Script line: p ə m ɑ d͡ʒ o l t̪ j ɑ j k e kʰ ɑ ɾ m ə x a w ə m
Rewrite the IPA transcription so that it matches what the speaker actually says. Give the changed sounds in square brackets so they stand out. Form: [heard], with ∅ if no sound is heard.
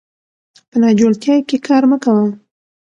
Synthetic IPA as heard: p ə [n] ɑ d͡ʒ o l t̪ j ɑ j k e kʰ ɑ ɾ m ə [k] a w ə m